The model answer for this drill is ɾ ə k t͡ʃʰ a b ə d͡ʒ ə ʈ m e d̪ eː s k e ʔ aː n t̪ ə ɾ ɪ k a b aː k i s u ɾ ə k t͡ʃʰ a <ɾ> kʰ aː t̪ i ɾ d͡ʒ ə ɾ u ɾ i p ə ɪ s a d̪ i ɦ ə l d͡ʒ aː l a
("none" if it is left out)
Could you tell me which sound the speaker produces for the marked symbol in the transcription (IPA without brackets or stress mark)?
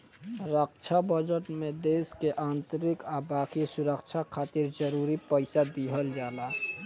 none